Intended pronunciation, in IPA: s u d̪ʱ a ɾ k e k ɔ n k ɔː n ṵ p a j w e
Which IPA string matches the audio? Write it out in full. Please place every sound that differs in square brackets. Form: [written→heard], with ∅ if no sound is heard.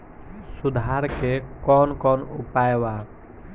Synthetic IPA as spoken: s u d̪ʱ a ɾ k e k ɔ n k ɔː n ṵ p a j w [e→a]